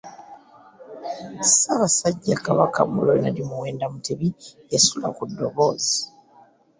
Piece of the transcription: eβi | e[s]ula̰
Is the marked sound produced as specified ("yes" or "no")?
yes